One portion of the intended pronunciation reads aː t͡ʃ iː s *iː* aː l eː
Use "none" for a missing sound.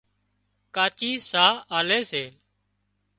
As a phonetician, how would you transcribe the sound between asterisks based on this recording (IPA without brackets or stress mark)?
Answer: aː